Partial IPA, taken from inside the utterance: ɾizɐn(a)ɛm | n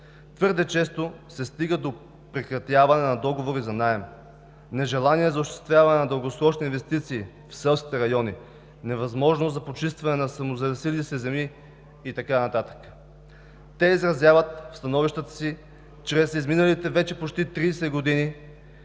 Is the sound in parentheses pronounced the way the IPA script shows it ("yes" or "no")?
yes